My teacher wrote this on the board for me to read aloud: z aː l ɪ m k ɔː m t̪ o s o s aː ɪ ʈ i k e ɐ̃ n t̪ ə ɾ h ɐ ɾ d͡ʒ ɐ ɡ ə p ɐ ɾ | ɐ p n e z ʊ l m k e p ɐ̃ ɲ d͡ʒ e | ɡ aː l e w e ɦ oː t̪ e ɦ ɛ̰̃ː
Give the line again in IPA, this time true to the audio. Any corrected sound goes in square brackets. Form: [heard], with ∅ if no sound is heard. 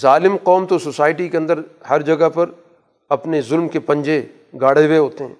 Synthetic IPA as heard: z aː l ɪ m [q] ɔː m t̪ o s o s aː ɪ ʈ i k e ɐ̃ n [d̪] ə ɾ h ɐ ɾ d͡ʒ ɐ ɡ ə p ɐ ɾ | ɐ p n e z ʊ l m k e p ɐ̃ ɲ d͡ʒ e | ɡ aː [ɽ] e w e ɦ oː t̪ e ɦ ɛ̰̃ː